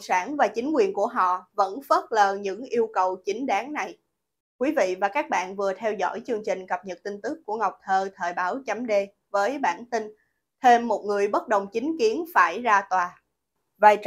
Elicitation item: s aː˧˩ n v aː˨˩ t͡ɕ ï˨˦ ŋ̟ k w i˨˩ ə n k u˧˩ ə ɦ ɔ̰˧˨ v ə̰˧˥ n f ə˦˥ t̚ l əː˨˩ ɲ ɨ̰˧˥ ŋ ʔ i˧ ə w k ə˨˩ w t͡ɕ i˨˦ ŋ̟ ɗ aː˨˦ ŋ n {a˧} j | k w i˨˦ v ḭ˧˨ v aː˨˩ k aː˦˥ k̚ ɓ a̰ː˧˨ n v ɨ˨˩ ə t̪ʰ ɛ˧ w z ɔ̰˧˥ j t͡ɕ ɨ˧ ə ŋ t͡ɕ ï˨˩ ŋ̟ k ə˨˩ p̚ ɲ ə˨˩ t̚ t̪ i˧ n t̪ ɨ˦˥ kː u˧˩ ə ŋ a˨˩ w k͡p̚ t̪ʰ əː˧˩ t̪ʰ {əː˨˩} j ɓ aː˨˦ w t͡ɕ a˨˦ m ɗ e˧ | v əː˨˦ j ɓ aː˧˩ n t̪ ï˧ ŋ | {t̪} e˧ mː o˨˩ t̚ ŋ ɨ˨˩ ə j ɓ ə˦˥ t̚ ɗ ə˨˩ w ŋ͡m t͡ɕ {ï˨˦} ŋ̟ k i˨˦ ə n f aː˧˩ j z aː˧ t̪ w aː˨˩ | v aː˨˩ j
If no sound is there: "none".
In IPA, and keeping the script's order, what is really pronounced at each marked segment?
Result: a˨˩, əː˨˩, t̪ʰ, ï˨˦

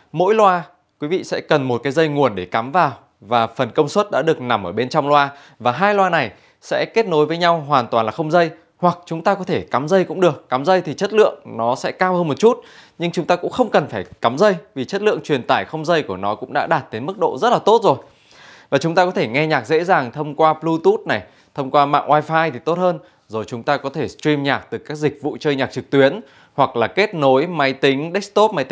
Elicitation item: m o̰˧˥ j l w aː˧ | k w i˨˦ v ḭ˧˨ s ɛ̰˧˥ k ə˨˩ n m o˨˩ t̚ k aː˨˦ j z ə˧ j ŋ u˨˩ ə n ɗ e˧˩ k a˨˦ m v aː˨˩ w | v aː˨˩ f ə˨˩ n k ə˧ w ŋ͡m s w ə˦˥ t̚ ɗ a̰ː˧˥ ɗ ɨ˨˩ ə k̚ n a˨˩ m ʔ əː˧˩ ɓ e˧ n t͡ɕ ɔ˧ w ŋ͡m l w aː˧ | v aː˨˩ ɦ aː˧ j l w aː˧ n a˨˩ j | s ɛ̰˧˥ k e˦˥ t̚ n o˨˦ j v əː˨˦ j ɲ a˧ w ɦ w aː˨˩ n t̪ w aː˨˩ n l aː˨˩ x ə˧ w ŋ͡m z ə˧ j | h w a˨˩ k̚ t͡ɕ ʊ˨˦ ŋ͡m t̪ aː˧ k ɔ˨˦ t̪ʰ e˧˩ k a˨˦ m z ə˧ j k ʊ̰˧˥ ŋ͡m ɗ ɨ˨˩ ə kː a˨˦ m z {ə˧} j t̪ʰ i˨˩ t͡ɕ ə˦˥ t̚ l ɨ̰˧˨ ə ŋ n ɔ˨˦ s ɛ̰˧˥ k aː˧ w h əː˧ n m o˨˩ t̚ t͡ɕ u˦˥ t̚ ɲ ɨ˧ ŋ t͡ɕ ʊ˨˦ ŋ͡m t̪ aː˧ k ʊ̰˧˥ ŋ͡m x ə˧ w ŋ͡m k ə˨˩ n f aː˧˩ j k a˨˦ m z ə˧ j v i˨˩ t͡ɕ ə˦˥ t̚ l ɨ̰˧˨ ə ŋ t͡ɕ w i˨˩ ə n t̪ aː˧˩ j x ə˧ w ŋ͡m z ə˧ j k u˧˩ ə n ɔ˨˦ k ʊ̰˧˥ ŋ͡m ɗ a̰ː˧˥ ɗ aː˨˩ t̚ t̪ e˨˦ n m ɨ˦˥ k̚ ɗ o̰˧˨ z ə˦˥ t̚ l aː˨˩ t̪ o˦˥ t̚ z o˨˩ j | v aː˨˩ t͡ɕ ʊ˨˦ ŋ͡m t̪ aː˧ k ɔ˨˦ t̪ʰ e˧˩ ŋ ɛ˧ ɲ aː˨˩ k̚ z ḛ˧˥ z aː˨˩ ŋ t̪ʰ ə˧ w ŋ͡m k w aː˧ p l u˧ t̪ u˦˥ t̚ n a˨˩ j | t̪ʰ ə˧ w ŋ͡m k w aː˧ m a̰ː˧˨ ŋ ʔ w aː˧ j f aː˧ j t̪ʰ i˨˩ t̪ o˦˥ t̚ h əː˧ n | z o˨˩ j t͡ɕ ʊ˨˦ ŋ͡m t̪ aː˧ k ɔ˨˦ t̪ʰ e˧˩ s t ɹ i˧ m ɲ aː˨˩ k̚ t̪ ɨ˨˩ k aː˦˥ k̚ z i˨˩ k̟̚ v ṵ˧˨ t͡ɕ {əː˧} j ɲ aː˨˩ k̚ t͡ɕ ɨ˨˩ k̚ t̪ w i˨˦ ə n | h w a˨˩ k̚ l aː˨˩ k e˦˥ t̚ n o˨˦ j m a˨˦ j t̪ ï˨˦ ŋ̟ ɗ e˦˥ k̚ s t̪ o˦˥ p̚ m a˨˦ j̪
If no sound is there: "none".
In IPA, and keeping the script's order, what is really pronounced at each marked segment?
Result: ə˧, əː˧

